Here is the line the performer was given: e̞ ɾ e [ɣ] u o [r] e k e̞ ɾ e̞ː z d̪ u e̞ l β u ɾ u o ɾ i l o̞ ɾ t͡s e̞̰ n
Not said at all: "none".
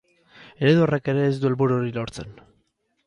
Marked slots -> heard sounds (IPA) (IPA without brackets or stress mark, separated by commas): ð, r